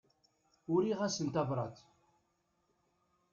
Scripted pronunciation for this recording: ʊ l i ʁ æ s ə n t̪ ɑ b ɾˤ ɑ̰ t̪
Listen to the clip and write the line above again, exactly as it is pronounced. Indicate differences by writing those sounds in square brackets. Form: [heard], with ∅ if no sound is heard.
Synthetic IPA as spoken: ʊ [ɾ] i ʁ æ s ə n t̪ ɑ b ɾˤ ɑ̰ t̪